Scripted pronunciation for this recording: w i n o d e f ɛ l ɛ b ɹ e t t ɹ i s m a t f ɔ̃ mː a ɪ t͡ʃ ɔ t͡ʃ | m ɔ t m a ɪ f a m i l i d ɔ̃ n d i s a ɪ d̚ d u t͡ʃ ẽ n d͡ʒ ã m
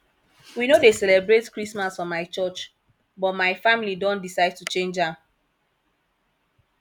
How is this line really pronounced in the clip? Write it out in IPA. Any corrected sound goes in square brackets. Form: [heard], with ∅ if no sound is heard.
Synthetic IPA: w i n o d e [s] ɛ l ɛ b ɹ e t [k] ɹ i s m a [s] f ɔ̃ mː a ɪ t͡ʃ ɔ t͡ʃ | [b] ɔ t m a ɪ f a m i l i d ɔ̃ n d i s a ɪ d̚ [t] u t͡ʃ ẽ n d͡ʒ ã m